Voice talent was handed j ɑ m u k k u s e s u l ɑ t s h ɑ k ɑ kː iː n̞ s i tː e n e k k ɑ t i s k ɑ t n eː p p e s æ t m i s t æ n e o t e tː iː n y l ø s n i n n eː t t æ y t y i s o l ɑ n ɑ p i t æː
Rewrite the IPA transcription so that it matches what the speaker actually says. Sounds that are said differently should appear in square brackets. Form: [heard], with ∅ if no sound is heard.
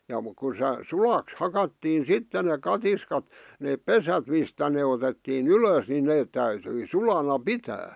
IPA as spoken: j ɑ m u k k u s e s u l ɑ [k] s h ɑ k ɑ [tː] iː n̞ s i tː e n e k k ɑ t i s k ɑ t n eː p p e s æ t m i s t æ n e o t e tː iː n y l ø s n i n n eː t t æ y t y i s [u] l ɑ n ɑ p i t æː